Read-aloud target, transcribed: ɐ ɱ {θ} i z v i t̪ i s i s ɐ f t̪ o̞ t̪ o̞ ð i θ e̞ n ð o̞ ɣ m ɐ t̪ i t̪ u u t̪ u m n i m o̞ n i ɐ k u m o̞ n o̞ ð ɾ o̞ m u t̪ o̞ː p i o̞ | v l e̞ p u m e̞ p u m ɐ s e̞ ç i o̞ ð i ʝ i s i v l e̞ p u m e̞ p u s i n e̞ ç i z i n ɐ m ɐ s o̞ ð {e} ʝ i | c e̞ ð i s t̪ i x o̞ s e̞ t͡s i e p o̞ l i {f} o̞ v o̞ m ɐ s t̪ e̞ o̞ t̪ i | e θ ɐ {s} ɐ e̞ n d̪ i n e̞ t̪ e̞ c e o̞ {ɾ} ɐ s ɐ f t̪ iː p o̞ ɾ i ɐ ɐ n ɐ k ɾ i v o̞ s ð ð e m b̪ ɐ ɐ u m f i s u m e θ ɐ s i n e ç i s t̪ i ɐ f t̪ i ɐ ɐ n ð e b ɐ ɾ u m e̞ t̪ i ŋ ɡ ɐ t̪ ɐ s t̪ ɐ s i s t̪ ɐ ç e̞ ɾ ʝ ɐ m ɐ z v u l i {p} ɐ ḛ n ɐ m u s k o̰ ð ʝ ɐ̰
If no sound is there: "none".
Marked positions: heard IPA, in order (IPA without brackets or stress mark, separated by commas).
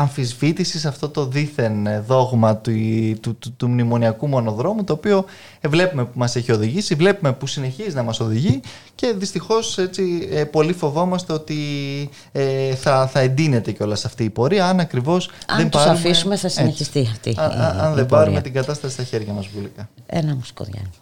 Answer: f, i, f, θ, l, k